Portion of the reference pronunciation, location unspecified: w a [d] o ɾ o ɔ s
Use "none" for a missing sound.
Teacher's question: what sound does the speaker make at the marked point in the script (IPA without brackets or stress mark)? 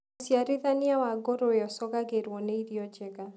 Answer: ɡ